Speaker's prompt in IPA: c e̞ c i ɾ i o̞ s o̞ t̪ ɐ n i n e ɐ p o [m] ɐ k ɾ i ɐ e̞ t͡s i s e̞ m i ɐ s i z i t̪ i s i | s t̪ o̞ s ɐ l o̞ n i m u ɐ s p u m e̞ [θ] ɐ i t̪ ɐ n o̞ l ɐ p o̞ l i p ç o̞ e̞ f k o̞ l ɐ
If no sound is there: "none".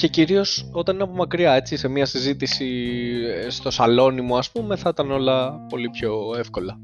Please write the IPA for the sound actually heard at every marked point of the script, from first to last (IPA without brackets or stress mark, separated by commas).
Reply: m, θ